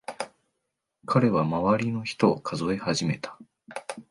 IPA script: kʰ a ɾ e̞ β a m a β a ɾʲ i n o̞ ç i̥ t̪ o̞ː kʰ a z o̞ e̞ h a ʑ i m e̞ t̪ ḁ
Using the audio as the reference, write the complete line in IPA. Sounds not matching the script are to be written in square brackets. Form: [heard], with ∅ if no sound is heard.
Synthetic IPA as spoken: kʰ a ɾ e̞ β a m a β a ɾʲ i n o̞ ç i̥ t̪ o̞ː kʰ a z o̞ e̞ h a ʑ i m e̞ t̪ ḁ